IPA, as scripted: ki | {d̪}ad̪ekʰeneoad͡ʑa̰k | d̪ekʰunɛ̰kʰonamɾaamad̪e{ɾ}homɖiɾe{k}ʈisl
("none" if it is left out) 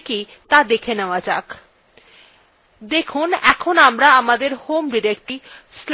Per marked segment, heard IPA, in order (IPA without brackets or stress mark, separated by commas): t̪, ɾ, k